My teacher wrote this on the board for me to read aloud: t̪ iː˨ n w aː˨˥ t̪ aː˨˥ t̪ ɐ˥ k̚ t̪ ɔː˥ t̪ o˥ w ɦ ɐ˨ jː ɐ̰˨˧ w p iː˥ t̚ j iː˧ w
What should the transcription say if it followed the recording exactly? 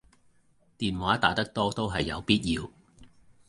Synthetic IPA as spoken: t̪ iː˨ n w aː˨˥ t̪ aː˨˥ t̪ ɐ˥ k̚ t̪ ɔː˥ t̪ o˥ w ɦ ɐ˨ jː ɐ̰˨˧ w p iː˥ t̚ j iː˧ w